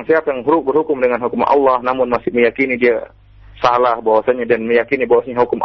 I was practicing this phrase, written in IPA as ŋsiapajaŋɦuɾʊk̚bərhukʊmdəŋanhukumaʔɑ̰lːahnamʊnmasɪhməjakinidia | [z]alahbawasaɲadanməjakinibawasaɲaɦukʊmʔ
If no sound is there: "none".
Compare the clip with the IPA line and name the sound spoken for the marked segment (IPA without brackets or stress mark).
s